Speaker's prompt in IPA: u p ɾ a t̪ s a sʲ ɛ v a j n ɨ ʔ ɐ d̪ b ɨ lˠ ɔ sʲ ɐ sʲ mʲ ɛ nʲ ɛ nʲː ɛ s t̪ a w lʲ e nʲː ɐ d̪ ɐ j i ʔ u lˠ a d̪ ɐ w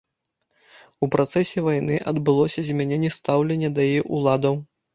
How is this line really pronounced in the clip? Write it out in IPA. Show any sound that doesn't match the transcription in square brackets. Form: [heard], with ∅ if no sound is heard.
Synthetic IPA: u p ɾ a t̪ s [ɛ] sʲ ɛ v a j n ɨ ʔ ɐ d̪ b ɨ lˠ ɔ sʲ ɐ [zʲ] mʲ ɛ nʲ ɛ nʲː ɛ s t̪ a w lʲ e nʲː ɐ d̪ ɐ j i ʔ u lˠ a d̪ ɐ w